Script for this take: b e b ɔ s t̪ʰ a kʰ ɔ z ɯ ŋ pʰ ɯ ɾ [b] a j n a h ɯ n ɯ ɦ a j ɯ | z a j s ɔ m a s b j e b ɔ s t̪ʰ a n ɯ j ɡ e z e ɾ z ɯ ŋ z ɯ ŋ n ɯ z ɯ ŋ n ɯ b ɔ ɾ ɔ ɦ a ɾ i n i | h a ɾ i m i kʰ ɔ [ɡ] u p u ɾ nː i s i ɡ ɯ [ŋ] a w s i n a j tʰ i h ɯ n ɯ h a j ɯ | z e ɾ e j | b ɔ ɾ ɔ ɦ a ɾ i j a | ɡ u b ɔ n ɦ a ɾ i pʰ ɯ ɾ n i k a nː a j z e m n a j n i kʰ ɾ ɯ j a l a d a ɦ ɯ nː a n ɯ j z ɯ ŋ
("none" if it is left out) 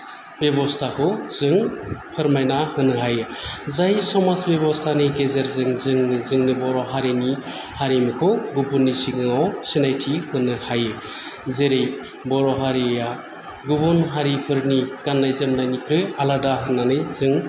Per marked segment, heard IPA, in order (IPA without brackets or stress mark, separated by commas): m, ɡ, ŋ